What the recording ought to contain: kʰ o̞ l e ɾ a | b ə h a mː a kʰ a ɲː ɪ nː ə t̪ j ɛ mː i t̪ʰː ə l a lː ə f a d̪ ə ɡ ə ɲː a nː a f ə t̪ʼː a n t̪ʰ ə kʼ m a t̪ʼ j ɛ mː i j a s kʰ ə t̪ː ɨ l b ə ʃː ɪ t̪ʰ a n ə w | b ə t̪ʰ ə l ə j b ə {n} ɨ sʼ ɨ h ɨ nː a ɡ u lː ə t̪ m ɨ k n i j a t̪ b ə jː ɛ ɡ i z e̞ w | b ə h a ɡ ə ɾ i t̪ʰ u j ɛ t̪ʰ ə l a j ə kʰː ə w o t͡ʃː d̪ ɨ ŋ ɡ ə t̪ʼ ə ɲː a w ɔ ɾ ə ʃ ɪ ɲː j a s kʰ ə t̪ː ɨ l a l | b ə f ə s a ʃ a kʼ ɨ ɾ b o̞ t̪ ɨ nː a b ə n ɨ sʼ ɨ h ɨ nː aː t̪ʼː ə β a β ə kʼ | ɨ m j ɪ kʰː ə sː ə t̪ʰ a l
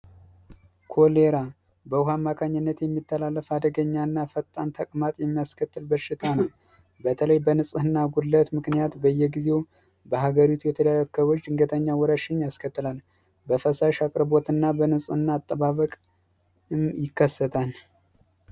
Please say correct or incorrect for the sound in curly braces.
correct